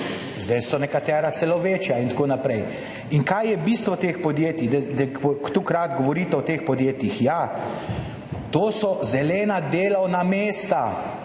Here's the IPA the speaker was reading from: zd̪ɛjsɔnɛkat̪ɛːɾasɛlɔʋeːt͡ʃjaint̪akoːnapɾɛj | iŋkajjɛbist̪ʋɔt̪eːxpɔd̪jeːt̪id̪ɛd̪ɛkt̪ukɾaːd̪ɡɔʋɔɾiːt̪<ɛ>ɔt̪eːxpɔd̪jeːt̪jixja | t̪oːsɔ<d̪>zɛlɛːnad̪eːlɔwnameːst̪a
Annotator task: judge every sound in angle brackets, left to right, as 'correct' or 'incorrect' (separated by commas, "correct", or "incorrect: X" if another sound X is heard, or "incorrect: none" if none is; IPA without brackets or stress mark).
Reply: correct, incorrect: none